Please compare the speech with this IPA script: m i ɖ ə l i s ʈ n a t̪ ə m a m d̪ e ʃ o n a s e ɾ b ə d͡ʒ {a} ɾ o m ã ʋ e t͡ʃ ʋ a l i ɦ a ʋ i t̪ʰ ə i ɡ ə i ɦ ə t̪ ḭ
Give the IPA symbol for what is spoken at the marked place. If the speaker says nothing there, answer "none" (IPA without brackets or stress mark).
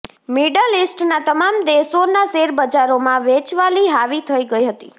a